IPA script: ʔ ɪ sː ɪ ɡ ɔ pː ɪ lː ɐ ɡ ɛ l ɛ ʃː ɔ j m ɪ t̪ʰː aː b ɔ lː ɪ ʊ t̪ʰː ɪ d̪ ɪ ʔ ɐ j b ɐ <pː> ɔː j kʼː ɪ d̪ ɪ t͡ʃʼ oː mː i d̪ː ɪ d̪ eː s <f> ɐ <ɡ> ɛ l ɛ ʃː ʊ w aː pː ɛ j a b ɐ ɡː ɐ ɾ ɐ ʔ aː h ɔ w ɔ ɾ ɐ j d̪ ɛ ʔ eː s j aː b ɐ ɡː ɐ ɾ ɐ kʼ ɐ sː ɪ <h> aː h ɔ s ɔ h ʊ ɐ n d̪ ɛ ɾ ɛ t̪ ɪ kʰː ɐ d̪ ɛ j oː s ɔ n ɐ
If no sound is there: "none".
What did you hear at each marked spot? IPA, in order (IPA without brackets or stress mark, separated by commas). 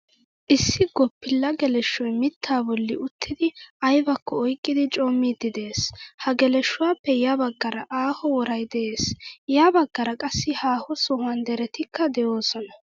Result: kː, h, ɡ, h